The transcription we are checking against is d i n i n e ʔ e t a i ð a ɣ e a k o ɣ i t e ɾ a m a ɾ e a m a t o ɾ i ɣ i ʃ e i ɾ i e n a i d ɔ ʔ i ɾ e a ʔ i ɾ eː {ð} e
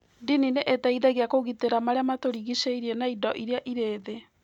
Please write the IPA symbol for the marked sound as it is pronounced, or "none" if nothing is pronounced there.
ð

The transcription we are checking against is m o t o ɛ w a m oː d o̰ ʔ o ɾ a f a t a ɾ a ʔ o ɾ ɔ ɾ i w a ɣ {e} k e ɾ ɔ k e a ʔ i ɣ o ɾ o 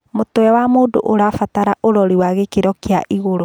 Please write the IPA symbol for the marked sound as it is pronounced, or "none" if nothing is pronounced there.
e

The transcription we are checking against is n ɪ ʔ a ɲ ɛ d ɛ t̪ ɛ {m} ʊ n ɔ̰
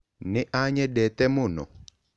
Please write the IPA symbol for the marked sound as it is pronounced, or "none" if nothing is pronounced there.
m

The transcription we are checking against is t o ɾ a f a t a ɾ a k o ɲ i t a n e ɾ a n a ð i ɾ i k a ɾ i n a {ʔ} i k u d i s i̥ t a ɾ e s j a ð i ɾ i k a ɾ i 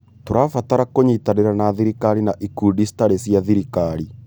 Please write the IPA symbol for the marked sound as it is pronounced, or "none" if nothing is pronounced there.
ʔ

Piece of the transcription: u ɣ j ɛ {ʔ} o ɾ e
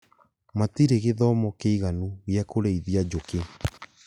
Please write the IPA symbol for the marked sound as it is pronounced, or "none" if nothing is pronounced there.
k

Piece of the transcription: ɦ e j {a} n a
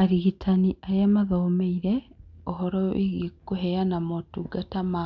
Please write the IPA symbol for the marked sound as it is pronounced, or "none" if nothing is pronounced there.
a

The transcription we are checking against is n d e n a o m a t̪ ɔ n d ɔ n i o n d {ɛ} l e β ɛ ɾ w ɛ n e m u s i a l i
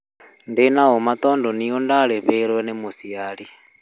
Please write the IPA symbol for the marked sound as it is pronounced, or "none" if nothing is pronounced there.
a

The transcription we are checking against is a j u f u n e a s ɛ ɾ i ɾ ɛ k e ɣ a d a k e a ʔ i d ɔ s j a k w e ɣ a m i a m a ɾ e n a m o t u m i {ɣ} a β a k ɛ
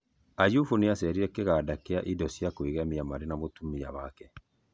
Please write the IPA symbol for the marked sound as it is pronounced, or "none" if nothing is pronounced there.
none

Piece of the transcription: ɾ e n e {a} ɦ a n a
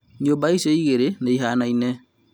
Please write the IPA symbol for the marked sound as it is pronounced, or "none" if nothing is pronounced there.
i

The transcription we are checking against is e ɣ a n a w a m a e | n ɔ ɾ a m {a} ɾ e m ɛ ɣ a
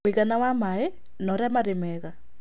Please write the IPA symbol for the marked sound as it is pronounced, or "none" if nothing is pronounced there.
a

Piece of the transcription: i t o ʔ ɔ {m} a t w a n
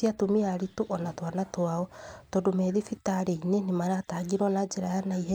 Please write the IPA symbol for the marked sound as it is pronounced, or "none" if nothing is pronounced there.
n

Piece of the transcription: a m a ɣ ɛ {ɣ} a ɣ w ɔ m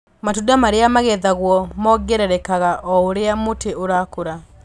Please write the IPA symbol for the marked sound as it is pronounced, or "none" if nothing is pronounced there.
ð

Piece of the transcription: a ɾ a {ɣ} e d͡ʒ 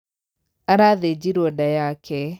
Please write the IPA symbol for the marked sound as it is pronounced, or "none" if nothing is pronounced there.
ð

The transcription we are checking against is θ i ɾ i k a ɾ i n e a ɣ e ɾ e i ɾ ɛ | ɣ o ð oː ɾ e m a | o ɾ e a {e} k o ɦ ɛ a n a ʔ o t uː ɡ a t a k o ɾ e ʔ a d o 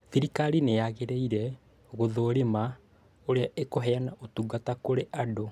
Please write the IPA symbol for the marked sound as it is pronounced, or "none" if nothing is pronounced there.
e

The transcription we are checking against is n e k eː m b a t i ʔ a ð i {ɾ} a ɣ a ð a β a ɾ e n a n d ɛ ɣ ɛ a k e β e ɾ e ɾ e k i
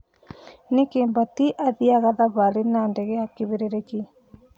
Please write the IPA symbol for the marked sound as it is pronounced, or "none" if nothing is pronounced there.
none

